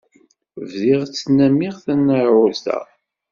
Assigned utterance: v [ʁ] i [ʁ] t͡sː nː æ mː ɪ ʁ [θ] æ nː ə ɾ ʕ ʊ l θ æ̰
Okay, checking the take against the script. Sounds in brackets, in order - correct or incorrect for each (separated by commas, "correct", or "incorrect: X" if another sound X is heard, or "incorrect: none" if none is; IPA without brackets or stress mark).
incorrect: ð, correct, correct